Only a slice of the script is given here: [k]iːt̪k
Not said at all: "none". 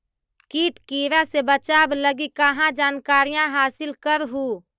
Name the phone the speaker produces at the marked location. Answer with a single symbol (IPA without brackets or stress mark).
k